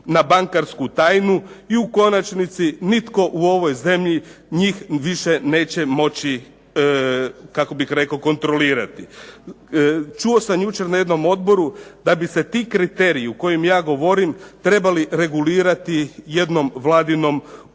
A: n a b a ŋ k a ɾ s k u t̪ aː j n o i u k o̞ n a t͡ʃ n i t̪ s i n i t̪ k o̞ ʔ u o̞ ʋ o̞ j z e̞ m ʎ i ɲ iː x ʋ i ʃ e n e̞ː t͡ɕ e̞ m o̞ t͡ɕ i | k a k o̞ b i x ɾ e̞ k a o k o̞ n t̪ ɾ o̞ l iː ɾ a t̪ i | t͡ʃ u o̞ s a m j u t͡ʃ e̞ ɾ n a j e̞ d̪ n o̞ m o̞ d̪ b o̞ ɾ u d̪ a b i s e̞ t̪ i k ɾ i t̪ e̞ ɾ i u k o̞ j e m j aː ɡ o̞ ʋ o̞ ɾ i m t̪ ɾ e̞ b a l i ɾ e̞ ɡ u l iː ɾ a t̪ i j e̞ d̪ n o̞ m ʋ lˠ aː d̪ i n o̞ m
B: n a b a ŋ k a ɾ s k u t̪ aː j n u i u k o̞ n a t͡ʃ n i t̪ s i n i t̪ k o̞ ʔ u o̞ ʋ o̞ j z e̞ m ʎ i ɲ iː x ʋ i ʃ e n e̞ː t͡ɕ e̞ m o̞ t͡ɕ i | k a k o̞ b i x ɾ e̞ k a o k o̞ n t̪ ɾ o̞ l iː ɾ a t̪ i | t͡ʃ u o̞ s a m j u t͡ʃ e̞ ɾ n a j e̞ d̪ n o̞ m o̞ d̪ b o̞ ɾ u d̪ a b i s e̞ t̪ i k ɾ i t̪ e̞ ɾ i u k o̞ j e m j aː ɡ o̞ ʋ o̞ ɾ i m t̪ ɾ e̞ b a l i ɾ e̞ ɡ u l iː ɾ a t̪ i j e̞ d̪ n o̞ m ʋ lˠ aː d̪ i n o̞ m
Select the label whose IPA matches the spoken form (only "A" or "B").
B